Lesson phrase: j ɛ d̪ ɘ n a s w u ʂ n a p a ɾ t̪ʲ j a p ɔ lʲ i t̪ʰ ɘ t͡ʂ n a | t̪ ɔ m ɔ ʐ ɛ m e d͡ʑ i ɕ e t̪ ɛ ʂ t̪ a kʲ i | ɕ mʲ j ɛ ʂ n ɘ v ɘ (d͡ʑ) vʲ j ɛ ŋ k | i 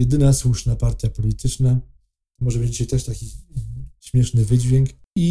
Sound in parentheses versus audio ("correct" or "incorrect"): correct